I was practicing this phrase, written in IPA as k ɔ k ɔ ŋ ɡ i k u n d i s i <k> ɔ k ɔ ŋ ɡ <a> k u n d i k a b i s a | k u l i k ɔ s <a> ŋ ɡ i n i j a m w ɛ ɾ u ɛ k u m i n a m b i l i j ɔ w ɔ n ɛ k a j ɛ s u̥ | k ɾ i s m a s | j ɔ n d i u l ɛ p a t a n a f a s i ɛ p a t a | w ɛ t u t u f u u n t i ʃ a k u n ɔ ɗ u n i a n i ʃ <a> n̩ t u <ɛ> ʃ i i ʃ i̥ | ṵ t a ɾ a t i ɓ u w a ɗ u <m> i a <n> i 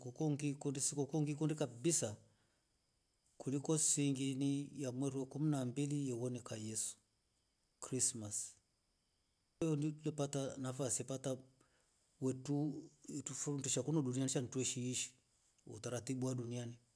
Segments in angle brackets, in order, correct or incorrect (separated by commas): correct, incorrect, incorrect, correct, correct, incorrect, correct